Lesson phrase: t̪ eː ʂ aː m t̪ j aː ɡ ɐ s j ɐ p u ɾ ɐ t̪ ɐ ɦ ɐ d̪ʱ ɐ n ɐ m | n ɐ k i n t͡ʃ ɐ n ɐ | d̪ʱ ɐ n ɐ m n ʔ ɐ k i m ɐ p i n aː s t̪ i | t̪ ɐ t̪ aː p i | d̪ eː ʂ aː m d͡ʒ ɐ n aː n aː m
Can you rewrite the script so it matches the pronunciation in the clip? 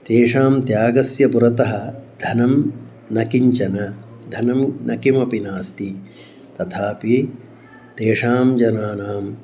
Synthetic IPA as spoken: t̪ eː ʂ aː m t̪ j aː ɡ ɐ s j ɐ p u ɾ ɐ t̪ ɐ ɦ ɐ d̪ʱ ɐ n ɐ m | n ɐ k i ɲ t͡ʃ ɐ n ɐ | d̪ʱ ɐ n ɐ m n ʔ ɐ k i m ɐ p i n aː s t̪ i | t̪ ɐ t̪ʰ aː p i | t̪ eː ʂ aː m d͡ʒ ɐ n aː n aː m